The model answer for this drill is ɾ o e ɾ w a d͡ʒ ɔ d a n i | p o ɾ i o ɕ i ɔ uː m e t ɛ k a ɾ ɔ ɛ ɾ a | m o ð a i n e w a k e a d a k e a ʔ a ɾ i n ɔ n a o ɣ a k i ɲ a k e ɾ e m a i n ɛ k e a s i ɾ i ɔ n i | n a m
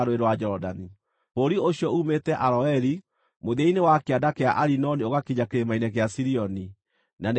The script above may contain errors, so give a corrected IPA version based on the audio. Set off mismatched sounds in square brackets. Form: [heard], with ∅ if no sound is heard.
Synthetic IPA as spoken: ɾ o e ɾ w a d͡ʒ ɔ d a n i | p o ɾ i o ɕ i ɔ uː m e t ɛ [ʔ] a ɾ ɔ ɛ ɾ [i] | m o ð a i n e w a k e a d a k e a ʔ a ɾ i n ɔ n [i] o ɣ a k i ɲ a k e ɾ e m a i n ɛ k e a s i ɾ i ɔ n i | n a [n]